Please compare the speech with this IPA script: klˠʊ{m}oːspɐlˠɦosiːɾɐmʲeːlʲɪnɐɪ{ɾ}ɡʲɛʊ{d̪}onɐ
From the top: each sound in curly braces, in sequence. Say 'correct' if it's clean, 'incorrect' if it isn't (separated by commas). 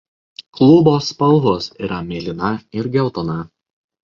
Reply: incorrect, correct, incorrect